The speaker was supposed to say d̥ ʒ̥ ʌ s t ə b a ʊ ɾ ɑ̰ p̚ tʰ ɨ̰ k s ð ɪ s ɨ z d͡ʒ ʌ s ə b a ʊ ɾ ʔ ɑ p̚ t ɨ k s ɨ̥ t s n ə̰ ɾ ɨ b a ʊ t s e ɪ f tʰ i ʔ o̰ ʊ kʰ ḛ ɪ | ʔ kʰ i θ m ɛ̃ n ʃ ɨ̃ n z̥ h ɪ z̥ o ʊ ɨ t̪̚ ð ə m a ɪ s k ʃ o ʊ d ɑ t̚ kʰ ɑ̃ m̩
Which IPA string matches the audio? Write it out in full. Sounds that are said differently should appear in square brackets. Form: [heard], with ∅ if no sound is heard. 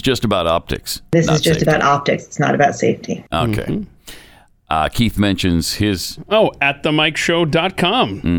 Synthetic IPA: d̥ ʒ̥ ʌ s t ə b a ʊ ɾ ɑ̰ p̚ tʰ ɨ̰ k s ð ɪ s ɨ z d͡ʒ ʌ s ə b a ʊ ɾ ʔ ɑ p̚ t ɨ k s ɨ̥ t s n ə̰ ɾ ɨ b a ʊ t s e ɪ f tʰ i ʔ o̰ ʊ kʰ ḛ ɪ | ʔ kʰ i θ m ɛ̃ n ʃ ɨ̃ n z̥ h ɪ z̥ o ʊ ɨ t̪̚ ð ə m a ɪ [∅] k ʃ o ʊ d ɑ t̚ kʰ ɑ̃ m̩